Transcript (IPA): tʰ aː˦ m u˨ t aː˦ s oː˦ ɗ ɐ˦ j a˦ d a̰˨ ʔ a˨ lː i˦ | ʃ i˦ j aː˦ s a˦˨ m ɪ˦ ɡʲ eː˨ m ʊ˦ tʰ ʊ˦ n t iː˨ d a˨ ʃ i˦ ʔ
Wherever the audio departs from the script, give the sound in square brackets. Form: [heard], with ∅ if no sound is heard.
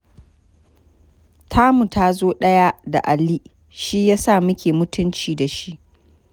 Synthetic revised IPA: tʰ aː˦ m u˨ t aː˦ [z] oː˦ ɗ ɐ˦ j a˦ d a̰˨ ʔ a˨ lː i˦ | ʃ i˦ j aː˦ s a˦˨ m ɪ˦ [kʲ] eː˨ m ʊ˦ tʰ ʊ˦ n [t͡ʃ] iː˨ d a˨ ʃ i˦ ʔ